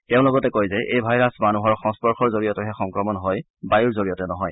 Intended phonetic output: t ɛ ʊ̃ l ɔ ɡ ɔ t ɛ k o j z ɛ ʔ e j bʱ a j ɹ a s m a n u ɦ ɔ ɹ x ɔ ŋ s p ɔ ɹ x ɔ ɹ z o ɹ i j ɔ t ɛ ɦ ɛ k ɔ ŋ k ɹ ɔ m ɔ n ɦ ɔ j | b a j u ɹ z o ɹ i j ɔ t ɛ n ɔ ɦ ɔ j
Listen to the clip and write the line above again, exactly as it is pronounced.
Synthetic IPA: t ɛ ʊ̃ l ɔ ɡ ɔ t ɛ k o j z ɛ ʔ e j bʱ a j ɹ a s m a n u ɦ ɔ ɹ x ɔ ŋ s p ɔ ɹ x ɔ ɹ z o ɹ i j ɔ t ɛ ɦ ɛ x ɔ ŋ k ɹ ɔ m ɔ n ɦ ɔ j | b a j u ɹ z o ɹ i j ɔ t ɛ n ɔ ɦ ɔ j